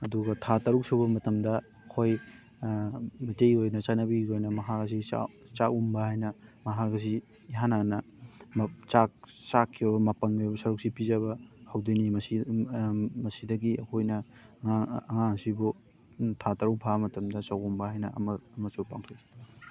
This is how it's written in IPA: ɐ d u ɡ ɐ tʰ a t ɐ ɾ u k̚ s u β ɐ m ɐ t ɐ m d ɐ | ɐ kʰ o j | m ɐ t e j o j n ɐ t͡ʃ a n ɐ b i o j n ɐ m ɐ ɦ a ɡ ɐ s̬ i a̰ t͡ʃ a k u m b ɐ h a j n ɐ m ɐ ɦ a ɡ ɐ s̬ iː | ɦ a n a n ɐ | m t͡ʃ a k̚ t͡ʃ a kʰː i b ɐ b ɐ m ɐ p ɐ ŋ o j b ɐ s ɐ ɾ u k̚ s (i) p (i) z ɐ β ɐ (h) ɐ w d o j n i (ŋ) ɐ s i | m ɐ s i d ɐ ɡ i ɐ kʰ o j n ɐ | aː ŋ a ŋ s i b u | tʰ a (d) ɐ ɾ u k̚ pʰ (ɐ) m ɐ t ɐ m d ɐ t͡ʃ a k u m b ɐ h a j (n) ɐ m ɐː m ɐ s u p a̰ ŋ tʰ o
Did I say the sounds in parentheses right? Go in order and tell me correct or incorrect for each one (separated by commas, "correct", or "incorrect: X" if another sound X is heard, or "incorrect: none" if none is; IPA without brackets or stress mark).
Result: correct, correct, correct, incorrect: m, incorrect: t, incorrect: a, correct